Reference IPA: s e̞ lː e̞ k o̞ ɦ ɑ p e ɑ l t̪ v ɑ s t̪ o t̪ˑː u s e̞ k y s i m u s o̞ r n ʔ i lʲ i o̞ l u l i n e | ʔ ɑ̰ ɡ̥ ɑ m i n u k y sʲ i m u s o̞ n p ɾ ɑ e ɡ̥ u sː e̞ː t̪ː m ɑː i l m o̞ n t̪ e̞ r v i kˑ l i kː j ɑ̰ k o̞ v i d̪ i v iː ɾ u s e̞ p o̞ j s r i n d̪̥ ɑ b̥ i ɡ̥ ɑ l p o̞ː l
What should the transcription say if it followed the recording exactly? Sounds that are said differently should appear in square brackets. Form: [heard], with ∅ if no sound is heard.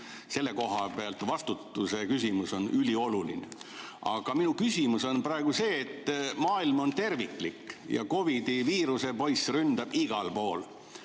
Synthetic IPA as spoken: s e̞ lː e̞ k o̞ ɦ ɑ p e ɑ l t̪ v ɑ s t̪ [u] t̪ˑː u s e̞ k y s i m u s o̞ [∅] n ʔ [y] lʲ i o̞ l u l i n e | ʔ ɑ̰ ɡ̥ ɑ m i n u k y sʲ i m u s o̞ n p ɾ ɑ e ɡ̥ u [s] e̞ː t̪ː m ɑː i l m o̞ n t̪ e̞ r v i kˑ l i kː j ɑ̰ k o̞ v i d̪ i v iː ɾ u s e̞ p o̞ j s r [y] n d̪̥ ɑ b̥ i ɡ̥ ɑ l p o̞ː l